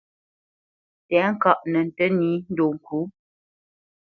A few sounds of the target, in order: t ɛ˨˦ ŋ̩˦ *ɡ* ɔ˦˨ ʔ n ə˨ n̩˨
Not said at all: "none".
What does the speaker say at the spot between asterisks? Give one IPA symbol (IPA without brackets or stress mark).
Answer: k